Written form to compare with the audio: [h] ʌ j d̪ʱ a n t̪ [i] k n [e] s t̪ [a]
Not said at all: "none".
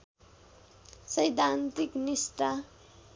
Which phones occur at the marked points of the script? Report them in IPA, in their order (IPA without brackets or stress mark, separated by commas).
s, i, i, a